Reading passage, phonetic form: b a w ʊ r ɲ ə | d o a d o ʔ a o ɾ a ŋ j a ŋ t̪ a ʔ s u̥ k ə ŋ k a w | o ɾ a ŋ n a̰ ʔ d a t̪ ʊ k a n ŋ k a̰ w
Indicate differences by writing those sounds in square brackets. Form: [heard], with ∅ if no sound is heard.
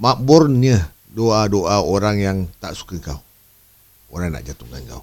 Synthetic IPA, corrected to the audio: [m] a [b] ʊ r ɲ ə | d o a d o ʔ a o ɾ a ŋ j a ŋ t̪ a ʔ s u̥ k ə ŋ k a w | o ɾ a ŋ n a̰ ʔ [d͡ʒ] a t̪ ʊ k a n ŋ k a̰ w